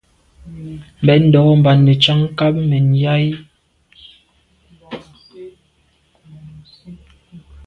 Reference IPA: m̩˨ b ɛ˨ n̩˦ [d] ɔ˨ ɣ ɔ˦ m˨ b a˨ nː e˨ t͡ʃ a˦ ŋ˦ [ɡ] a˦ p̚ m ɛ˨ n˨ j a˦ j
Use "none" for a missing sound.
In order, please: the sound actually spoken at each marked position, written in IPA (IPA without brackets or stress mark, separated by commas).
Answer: d, k